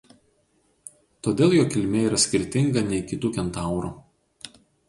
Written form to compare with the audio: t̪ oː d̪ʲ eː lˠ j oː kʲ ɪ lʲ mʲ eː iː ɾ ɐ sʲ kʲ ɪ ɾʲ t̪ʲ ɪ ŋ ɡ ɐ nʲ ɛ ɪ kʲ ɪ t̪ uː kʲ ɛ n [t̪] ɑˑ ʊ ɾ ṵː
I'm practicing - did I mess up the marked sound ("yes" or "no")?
no